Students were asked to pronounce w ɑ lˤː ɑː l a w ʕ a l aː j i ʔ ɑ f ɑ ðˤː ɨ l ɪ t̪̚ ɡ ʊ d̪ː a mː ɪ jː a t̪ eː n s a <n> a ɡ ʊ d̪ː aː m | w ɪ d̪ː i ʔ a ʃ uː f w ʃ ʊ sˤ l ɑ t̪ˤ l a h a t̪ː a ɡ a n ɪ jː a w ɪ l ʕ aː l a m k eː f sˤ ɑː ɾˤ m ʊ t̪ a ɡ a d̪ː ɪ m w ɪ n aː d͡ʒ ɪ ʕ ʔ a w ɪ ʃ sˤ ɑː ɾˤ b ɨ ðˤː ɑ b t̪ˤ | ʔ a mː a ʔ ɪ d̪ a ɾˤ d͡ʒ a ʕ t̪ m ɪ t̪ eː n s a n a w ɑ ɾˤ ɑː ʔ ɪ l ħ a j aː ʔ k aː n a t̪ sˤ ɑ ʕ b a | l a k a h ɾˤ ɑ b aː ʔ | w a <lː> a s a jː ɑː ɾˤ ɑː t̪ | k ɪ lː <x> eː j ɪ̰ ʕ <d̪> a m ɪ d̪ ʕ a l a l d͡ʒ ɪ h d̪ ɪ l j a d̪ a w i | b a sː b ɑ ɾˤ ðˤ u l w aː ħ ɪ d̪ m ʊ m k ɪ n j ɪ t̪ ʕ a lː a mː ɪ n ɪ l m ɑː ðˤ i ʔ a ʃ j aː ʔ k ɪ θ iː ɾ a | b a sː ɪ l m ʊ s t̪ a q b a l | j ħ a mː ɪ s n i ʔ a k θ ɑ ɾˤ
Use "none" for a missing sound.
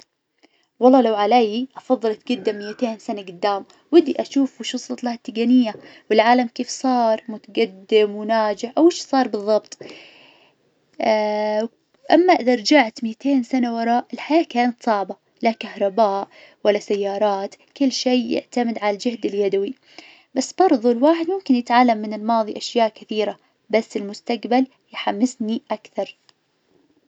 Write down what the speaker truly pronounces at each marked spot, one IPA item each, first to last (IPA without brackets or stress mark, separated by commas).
n, lː, ʃ, t̪